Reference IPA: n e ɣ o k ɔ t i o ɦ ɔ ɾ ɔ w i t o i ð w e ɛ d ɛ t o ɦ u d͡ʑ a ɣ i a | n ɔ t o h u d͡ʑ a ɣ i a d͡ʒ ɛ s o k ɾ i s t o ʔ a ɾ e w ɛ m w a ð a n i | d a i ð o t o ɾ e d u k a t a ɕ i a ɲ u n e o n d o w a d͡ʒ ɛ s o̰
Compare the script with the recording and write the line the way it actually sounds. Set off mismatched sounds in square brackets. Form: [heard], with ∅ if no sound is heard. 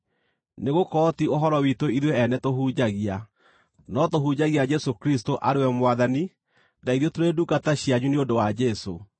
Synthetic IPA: n e ɣ o k ɔ t i o ɦ ɔ ɾ ɔ w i t o i ð w e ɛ [n] ɛ t o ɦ u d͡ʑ a ɣ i a | n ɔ t o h u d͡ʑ a ɣ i a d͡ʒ ɛ s o k ɾ i s t o ʔ a ɾ e w ɛ m w a ð a n i | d a i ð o t o ɾ e d u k a t a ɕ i a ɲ u n e o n d o w a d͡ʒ ɛ s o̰